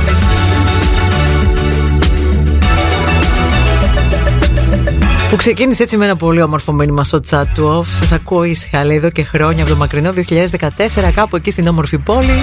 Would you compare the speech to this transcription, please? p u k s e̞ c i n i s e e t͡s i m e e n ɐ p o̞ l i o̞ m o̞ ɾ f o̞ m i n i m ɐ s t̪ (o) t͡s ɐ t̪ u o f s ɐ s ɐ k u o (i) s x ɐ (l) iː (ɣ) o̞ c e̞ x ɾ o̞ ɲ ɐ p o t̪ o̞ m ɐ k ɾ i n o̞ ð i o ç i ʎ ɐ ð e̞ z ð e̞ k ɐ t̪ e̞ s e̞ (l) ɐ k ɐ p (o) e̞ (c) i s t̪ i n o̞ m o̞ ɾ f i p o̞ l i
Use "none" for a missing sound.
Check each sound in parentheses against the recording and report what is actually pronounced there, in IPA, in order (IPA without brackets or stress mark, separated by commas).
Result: o, i, l, ð, ɾ, u, c